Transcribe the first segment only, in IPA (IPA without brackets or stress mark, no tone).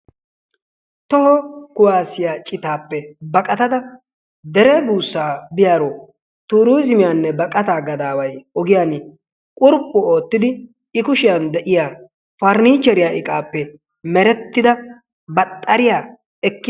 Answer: t̪